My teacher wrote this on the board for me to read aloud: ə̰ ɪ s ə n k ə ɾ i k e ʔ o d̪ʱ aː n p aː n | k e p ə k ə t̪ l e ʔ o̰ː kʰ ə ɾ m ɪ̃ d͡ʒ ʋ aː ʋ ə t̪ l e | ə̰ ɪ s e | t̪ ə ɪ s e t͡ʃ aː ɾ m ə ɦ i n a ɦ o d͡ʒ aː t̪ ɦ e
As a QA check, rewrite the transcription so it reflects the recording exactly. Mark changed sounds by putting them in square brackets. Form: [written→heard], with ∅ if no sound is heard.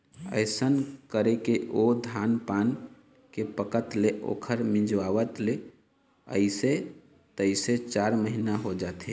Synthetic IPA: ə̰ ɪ s ə n k ə ɾ [i→e] k e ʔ o d̪ʱ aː n p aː n | k e p ə k ə t̪ l e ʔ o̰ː kʰ ə ɾ m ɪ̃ d͡ʒ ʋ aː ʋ ə t̪ l e | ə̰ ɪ s e | t̪ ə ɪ s e t͡ʃ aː ɾ m ə ɦ i n a ɦ o d͡ʒ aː t̪ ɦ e